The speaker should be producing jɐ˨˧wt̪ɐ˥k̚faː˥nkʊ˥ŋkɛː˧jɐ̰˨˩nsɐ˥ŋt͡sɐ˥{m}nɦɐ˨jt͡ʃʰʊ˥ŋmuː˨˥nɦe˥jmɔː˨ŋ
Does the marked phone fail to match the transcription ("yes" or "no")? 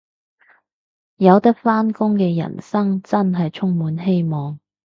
yes